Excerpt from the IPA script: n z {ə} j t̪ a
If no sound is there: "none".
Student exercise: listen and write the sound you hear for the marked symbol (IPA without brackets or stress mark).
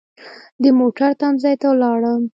ɑ